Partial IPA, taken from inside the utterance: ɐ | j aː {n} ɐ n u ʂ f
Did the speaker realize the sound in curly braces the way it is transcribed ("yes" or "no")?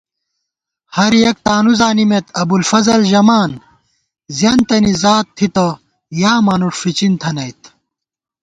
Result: no